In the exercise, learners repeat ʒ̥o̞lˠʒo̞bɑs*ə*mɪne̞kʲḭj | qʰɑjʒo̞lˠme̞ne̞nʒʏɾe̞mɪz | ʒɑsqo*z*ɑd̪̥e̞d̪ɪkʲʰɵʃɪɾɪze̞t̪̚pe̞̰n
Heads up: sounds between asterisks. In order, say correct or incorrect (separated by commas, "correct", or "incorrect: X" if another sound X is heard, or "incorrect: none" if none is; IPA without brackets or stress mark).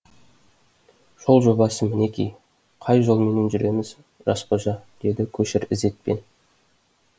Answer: correct, incorrect: ʒ